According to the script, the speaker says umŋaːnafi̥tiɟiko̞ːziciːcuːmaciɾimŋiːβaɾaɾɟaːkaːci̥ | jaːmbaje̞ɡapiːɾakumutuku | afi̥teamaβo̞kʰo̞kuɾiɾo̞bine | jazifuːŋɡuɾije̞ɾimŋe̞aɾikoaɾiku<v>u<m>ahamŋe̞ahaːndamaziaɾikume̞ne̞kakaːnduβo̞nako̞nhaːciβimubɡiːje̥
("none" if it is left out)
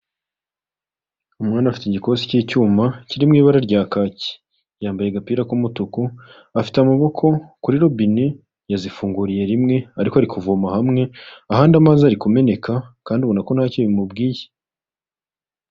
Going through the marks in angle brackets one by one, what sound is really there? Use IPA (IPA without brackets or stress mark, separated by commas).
v, m